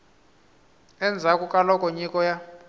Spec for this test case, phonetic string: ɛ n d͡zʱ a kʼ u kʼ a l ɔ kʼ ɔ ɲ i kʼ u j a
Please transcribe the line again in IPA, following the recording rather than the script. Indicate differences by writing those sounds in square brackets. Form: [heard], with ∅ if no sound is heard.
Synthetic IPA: ɛ n d͡zʱ a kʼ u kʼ a l ɔ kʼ ɔ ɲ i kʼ [ɔ] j a